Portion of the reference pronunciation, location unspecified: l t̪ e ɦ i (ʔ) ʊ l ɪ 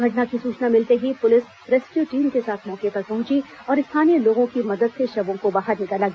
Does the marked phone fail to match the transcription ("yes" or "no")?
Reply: yes